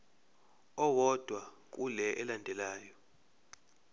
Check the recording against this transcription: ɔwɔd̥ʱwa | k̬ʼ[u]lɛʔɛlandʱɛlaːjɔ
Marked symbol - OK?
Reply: yes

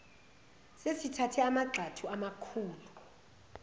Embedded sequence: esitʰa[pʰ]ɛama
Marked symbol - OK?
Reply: no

